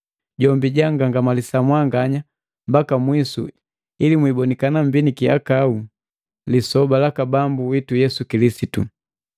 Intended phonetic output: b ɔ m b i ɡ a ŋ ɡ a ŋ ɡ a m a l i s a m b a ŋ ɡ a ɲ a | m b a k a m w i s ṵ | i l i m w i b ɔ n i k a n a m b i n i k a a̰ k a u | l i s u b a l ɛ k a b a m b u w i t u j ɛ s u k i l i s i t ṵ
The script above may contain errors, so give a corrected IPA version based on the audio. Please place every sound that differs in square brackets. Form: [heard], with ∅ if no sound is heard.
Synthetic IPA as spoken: [ɟ] ɔ m b i [ɟ] a ŋ ɡ a ŋ ɡ a m a l i s a m [w] a ŋ ɡ a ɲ a | m b a k a m w i s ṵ | i l i m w i b ɔ n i k a n a m b i n i k [i] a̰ k a u | l i s [ɔ] b a l [a] k a b a m b u w i t u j ɛ s u k i l i s i t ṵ